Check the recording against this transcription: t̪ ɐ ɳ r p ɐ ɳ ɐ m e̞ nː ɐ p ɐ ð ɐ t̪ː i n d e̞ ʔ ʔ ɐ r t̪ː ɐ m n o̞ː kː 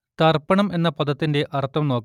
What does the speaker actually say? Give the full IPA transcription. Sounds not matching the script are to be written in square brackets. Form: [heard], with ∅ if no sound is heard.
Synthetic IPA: t̪ ɐ [∅] r p ɐ ɳ ɐ m e̞ nː ɐ p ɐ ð ɐ t̪ː i n d e̞ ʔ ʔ ɐ r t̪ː ɐ m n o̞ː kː

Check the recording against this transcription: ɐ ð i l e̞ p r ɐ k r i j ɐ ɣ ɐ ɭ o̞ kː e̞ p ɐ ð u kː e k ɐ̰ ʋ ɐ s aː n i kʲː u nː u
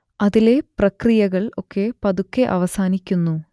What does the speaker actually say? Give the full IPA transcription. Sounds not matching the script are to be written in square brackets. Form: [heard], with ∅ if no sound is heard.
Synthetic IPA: ɐ ð i l e̞ p r ɐ k r i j ɐ ɣ ɐ ɭ o̞ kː e̞ p ɐ ð u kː e [ʔ] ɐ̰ ʋ ɐ s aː n i kʲː u nː u

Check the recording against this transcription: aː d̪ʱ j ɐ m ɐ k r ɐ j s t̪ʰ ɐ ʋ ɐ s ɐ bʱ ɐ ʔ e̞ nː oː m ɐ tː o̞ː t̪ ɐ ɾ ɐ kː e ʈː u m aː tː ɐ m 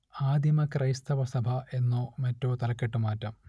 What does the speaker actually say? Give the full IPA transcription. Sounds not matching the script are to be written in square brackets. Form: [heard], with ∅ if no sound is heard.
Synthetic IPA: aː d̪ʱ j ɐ m ɐ k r ɐ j s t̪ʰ ɐ ʋ ɐ s ɐ bʱ ɐ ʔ e̞ nː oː m ɐ tː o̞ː t̪ ɐ [l] ɐ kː e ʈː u m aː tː ɐ m

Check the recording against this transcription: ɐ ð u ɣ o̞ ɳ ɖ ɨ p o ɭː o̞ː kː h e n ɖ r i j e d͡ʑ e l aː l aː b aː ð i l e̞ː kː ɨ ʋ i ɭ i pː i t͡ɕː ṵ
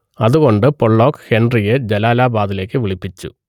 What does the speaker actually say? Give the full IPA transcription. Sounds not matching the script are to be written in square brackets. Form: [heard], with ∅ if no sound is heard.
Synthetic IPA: ɐ ð u ɣ o̞ ɳ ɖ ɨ p o ɭː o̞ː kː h e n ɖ r i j e d͡ʑ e l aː l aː b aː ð i l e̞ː kː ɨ ʋ i ɭ i pː i t͡ɕː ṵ

